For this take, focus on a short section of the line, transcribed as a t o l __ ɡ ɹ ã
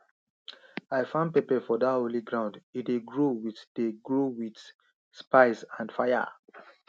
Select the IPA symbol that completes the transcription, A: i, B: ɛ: A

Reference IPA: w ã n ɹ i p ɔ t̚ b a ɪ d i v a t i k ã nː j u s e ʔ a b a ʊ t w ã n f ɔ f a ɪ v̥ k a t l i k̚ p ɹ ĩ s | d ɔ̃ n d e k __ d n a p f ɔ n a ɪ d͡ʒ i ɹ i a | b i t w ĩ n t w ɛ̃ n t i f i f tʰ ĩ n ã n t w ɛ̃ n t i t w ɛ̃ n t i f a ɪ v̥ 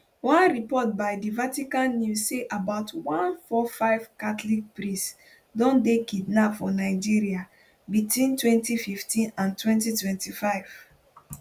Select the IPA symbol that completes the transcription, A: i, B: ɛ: A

